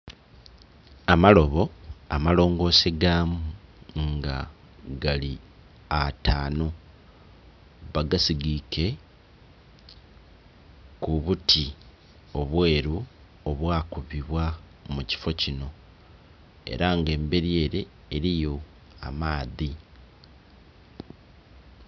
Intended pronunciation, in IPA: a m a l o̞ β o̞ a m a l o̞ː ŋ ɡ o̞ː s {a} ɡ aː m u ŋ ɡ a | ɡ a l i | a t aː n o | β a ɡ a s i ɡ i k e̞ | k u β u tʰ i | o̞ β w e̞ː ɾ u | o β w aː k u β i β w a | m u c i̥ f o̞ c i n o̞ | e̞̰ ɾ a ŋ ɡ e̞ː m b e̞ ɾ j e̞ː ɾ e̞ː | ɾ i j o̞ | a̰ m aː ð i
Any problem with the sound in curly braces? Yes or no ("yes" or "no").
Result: yes